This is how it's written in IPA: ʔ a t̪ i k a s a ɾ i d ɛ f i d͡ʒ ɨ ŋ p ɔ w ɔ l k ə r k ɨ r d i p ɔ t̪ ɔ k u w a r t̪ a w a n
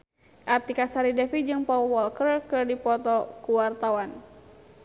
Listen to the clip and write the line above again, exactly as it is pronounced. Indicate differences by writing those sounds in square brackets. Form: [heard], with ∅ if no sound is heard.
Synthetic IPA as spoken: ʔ a t̪ i k a s a ɾ i d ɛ f i d͡ʒ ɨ ŋ p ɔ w ɔ l k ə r k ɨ r d i p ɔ t̪ ɔ k u w a r t̪ a w a n